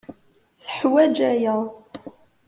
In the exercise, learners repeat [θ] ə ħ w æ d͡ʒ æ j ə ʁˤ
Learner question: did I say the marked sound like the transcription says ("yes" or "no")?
yes